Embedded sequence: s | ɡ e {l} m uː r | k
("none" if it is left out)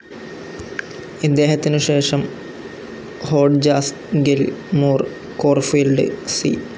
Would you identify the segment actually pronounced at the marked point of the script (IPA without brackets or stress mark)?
l